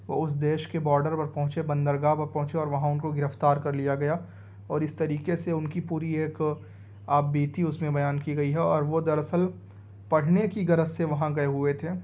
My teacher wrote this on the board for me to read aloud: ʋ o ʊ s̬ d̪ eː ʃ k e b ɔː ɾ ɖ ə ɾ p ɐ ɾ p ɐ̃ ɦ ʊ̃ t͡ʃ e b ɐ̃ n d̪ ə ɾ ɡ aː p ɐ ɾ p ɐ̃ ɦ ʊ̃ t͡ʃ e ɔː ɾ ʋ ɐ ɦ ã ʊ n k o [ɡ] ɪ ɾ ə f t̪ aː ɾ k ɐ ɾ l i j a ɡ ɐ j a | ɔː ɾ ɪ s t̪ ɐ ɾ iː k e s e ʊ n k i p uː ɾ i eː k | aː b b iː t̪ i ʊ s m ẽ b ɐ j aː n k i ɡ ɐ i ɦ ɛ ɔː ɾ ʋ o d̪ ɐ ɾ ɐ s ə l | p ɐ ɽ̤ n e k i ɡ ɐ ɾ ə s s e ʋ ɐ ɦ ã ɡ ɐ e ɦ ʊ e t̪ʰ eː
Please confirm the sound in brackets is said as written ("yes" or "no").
yes